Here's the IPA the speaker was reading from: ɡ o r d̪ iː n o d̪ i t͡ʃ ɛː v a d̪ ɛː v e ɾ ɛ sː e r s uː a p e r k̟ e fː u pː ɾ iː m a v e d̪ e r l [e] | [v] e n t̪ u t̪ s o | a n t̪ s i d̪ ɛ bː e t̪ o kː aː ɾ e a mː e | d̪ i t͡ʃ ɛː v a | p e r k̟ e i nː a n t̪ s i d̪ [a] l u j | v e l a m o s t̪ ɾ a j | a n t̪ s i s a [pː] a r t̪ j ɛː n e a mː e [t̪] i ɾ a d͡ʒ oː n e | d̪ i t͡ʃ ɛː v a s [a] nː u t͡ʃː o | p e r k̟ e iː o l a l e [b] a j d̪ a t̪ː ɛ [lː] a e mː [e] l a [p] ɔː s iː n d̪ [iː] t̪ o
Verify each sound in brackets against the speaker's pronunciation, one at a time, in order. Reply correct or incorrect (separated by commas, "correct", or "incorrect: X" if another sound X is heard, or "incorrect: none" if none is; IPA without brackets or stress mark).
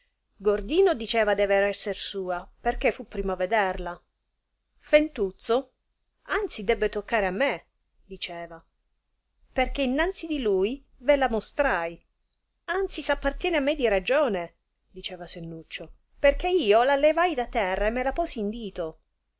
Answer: incorrect: a, incorrect: f, incorrect: i, correct, incorrect: d̪, incorrect: e, incorrect: v, incorrect: rː, correct, correct, correct